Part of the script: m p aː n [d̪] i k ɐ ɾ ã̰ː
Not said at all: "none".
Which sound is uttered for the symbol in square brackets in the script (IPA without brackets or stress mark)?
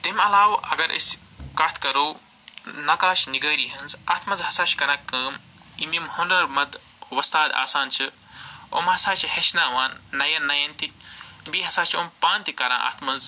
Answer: t̪